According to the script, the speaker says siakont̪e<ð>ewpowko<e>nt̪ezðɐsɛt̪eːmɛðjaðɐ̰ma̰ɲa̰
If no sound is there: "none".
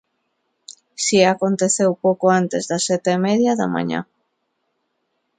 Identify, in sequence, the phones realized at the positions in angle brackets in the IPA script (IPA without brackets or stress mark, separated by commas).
θ, a